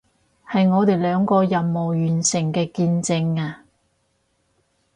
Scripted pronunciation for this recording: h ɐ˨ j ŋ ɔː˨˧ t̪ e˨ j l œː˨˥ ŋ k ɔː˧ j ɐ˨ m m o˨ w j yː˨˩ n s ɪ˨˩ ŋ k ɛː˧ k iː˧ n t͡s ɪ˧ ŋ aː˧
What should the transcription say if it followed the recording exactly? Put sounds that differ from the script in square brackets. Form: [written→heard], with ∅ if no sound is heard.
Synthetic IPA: h ɐ˨ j ŋ ɔː˨˧ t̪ e˨ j l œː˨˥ ŋ k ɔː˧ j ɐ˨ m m o˨ w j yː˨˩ n s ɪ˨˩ ŋ k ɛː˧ k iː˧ n t͡s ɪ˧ ŋ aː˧